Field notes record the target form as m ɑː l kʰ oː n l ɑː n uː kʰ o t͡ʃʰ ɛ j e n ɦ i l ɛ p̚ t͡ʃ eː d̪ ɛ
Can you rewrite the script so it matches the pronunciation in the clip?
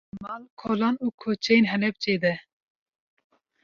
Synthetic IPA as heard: m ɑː l kʰ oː l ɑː n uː kʰ o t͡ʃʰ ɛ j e n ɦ ɛ l ɛ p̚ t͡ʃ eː d̪ ɛ